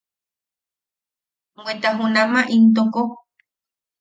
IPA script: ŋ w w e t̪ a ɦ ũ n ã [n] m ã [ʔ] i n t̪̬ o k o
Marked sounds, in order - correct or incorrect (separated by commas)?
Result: incorrect, correct